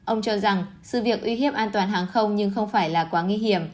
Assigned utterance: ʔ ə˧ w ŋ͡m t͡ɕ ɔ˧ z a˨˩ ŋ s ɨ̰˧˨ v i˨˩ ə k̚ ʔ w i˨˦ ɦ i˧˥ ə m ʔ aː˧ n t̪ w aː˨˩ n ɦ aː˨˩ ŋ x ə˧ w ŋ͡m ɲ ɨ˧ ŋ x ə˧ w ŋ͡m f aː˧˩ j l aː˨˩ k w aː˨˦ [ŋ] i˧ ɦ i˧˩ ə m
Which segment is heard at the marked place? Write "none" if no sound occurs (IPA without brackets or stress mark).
ŋ